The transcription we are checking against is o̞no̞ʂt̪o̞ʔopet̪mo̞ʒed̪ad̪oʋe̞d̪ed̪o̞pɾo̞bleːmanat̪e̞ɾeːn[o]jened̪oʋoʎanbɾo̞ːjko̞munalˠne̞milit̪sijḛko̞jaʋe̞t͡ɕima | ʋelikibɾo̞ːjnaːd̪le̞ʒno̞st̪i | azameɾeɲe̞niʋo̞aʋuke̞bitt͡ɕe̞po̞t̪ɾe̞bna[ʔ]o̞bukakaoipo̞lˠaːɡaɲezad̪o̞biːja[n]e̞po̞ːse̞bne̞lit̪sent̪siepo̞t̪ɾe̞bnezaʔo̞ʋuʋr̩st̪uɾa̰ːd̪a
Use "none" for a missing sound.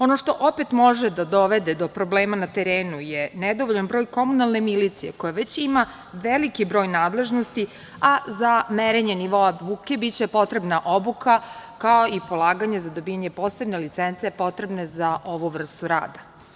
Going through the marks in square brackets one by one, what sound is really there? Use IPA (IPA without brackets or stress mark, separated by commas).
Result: u, ʔ, ɲ